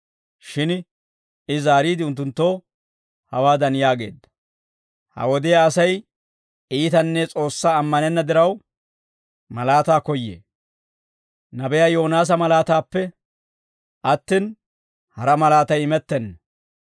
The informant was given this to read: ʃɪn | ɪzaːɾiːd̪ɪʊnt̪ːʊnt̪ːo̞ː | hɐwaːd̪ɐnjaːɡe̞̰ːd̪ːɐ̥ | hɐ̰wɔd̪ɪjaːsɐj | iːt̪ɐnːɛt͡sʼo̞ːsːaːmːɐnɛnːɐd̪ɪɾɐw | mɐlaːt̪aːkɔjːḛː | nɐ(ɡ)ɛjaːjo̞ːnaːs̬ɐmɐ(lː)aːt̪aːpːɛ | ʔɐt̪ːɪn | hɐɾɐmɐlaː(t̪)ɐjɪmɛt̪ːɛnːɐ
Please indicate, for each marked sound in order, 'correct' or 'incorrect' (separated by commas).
incorrect, incorrect, correct